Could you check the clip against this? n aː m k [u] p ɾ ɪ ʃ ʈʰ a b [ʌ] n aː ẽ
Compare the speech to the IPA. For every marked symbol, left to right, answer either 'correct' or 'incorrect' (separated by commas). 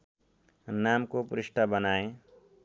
incorrect, incorrect